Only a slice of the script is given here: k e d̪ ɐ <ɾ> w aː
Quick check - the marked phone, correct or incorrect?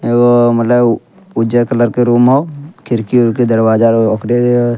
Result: correct